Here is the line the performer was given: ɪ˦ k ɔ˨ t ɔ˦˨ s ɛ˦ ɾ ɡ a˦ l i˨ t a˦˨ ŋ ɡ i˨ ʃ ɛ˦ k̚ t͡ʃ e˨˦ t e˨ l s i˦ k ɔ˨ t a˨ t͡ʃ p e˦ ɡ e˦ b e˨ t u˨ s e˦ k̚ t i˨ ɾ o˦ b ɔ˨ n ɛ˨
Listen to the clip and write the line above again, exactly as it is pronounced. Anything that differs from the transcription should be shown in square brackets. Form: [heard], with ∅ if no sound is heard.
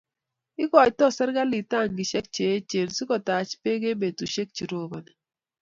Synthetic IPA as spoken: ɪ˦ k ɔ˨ t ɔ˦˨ s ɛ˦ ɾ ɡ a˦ l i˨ t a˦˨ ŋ ɡ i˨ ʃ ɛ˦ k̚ t͡ʃ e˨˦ [t͡ʃ] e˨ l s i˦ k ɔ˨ t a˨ t͡ʃ p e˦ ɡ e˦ b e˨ t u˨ [ʃ] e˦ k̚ [t͡ʃ] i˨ ɾ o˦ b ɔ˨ n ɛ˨